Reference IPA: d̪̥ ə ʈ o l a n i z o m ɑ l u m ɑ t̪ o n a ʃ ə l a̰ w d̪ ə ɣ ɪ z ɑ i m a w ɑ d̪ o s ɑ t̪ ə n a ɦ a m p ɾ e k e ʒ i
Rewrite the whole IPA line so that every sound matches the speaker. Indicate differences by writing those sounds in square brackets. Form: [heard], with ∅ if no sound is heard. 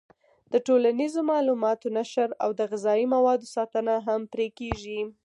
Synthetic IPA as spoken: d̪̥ ə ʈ o l a n i z o m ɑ l u m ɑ t̪ o n a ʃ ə [ɾ] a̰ w d̪ ə ɣ ɪ z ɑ i m a w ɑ d̪ o s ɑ t̪ ə n a ɦ a m p ɾ e k e ʒ i